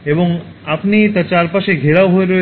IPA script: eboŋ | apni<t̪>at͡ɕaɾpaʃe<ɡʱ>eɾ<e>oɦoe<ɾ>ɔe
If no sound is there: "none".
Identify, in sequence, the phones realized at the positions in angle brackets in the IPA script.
t̪, ɡʱ, a, ɾ

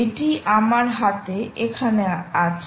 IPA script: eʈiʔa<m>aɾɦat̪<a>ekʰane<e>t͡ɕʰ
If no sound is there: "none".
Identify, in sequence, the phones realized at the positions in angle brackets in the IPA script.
m, e, a

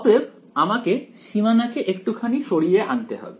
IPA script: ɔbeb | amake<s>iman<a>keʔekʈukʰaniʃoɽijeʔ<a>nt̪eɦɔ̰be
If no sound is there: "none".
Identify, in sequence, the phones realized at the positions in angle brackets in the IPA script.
ʃ, a, a

